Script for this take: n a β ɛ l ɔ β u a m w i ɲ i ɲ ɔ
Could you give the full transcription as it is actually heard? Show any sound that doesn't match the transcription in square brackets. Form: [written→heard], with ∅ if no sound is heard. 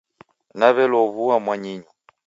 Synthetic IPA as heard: n a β ɛ l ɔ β u a m w [i→a] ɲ i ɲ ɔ

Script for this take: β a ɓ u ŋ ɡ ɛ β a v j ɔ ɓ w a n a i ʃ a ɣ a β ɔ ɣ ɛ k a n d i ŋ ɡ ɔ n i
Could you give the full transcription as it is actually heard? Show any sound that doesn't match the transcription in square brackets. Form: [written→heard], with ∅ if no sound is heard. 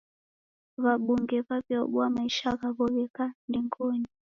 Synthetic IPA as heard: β a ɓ u ŋ ɡ ɛ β a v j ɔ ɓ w a [n→m] a i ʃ a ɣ a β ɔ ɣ ɛ k a n d i ŋ ɡ ɔ n i

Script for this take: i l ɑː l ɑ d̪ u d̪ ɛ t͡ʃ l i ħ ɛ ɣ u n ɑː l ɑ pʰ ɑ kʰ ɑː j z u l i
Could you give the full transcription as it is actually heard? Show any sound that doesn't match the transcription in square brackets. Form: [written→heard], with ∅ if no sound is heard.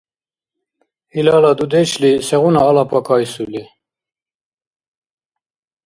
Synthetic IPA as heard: i l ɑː l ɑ d̪ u d̪ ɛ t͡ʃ l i [ħ→s] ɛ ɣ u n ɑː l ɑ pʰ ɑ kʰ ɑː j [z→s] u l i

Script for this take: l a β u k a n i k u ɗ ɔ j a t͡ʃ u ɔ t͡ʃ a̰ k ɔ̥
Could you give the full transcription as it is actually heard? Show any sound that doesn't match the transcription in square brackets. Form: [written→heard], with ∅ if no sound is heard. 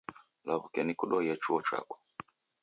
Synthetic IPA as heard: l a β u k [a→ɛ] n i k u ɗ ɔ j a t͡ʃ u ɔ t͡ʃ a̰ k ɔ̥

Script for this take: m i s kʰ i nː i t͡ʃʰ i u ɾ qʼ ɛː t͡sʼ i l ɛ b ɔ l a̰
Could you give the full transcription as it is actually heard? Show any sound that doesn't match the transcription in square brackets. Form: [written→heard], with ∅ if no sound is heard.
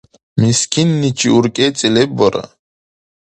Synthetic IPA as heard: m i s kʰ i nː i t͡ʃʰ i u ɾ [qʼ→kʼ] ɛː t͡sʼ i l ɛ b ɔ [l→ɾ] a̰

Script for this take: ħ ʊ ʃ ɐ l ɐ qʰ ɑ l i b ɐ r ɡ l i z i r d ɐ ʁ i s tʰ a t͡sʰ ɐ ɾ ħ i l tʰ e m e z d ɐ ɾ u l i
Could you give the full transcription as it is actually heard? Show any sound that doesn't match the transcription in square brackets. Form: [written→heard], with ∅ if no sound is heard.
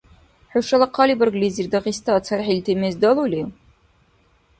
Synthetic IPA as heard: ħ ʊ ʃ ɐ l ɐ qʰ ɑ l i b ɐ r ɡ l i z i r d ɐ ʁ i s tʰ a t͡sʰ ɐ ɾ ħ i l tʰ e m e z d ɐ [ɾ→l] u l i

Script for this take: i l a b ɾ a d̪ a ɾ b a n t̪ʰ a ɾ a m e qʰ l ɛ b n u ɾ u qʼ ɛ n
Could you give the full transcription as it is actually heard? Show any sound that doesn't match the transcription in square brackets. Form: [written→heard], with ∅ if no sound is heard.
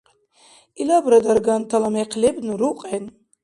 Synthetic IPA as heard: i l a b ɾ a d̪ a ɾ [b→ɡ] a n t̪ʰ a [ɾ→l] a m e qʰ l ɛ b n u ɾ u qʼ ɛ n

